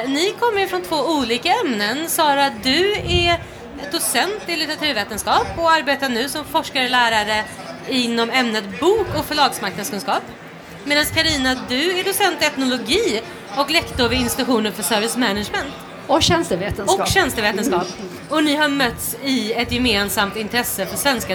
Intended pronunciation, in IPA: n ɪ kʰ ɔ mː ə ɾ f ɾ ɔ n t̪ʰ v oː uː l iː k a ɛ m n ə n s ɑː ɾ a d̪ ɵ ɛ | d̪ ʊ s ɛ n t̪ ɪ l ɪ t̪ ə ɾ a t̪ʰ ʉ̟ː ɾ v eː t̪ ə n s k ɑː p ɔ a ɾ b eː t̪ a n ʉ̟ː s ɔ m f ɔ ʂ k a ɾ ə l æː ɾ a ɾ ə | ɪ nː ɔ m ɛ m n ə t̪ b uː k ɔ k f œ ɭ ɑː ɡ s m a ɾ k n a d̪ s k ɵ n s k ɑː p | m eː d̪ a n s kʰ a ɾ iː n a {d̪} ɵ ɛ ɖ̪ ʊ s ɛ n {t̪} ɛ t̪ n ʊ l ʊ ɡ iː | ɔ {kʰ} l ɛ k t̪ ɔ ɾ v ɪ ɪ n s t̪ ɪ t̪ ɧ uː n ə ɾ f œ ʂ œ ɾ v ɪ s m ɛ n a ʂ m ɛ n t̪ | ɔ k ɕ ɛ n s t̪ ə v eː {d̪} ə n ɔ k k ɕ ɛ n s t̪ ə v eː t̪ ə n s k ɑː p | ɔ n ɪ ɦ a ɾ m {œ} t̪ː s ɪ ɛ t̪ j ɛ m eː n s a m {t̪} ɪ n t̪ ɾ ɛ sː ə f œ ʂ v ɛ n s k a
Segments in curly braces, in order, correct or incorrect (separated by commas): correct, correct, incorrect, incorrect, correct, correct